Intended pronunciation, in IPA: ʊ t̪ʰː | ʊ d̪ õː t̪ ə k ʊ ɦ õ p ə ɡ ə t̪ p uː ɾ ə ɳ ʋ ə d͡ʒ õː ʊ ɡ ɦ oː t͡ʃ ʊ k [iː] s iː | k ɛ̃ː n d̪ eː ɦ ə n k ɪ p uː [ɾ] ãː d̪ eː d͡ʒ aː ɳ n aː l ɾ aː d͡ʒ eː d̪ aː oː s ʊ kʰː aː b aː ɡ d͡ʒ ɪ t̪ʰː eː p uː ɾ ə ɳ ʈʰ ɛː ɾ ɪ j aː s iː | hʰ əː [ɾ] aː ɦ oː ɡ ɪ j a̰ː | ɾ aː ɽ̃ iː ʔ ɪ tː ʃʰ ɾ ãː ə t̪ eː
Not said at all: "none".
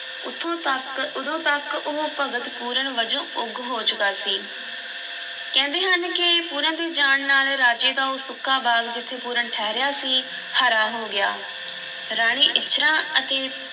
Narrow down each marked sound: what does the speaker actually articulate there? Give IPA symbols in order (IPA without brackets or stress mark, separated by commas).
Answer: aː, ɾ, ɾ